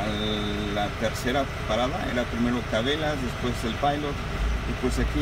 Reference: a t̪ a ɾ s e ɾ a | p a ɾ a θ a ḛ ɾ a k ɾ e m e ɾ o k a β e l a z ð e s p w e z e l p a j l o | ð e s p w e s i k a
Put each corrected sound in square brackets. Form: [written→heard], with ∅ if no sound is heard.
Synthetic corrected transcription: a t̪ [a→e] ɾ s e ɾ a | p a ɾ a [θ→ð] a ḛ ɾ a [k→p] ɾ [e→i] m e ɾ o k a β e l a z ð e s p w e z e l p a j l o | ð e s p w e s [i→a] k [a→i]